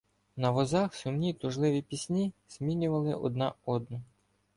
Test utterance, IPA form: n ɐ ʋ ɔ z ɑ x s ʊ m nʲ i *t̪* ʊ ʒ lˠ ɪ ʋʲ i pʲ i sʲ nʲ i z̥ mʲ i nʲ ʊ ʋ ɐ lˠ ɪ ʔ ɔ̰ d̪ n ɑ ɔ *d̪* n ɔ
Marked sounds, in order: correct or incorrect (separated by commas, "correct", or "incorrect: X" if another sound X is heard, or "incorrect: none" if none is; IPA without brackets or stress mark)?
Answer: correct, correct